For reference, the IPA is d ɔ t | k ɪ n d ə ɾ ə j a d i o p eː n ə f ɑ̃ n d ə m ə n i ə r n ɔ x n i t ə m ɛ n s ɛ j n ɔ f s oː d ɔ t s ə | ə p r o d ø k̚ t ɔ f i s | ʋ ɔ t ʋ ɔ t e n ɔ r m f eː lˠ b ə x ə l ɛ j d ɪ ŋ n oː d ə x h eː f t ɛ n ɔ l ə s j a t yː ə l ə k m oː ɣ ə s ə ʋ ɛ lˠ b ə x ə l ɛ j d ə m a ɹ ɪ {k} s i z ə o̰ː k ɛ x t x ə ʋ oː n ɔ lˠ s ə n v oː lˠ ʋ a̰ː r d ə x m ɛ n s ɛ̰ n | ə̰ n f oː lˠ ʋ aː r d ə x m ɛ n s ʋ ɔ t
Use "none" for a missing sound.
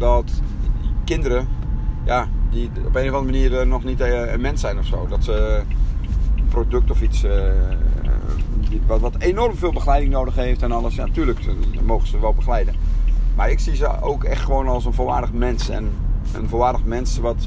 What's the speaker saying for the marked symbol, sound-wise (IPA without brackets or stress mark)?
k